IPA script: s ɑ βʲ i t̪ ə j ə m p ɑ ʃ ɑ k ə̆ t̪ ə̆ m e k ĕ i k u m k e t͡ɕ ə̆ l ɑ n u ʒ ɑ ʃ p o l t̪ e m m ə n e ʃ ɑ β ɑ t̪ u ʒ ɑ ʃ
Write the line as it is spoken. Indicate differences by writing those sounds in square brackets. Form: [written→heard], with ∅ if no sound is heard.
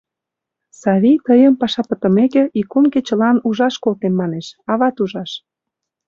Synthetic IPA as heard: s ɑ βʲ i t̪ ə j ə m p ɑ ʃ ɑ [k→p] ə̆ t̪ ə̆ m e k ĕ i k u m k e t͡ɕ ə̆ l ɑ n u ʒ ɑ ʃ [p→k] o l t̪ e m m [ə→ɑ] n e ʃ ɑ β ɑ t̪ u ʒ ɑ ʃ